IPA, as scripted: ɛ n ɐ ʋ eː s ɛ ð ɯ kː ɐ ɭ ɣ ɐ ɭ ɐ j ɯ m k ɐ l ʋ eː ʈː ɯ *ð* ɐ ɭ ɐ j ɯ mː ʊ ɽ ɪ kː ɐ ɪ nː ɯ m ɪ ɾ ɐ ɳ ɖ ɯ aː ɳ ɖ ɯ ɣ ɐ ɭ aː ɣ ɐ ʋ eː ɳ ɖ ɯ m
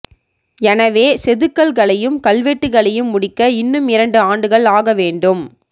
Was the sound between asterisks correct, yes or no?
no